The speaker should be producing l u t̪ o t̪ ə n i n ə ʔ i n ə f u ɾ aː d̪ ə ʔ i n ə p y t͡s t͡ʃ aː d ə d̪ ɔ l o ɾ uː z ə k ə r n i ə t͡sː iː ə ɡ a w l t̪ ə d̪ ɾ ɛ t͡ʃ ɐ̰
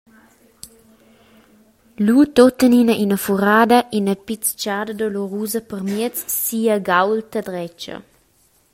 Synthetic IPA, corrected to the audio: l u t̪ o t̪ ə n i n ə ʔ i n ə f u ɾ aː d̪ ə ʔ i n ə p i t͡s t͡ʃ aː d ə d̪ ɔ l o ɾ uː z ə p ə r m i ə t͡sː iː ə ɡ a w l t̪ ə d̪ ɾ ɛ t͡ʃ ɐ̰